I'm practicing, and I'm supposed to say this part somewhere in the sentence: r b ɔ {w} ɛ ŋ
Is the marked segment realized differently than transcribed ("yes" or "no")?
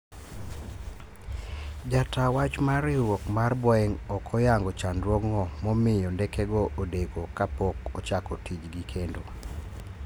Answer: yes